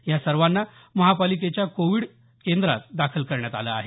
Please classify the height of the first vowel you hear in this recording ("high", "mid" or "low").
low